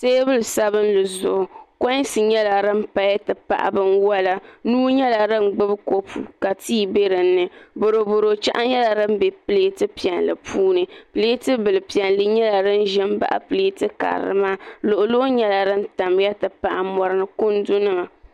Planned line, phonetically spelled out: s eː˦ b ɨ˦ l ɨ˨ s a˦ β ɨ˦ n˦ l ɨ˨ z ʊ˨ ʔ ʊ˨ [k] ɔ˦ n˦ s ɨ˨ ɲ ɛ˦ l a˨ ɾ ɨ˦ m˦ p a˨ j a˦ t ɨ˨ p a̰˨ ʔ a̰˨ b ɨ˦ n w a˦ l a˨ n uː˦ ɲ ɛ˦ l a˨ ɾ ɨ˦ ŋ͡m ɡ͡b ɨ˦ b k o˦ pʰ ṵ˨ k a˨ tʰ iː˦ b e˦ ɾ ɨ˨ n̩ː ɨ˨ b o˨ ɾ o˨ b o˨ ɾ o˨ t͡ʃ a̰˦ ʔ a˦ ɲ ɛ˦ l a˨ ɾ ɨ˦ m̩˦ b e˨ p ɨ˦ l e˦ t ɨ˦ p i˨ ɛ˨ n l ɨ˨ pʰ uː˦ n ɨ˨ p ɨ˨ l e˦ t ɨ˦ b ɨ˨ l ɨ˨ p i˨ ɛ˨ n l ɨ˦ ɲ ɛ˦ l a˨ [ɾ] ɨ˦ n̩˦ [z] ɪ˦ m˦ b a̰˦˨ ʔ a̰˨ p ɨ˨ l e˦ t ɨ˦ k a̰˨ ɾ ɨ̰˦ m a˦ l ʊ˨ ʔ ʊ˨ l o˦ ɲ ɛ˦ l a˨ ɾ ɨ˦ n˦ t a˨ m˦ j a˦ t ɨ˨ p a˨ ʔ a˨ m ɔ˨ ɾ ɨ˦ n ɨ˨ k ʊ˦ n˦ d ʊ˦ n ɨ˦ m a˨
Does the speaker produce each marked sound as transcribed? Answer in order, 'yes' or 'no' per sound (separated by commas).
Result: yes, yes, no